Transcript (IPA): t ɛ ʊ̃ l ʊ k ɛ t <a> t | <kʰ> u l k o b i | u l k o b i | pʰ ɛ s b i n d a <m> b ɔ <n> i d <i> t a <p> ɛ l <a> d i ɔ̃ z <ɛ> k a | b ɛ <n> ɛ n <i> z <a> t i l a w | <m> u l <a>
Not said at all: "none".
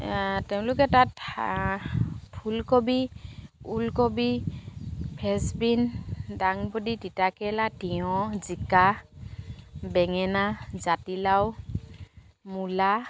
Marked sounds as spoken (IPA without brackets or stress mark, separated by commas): a, pʰ, ŋ, d, i, k, a, i, ŋ, a, a, m, a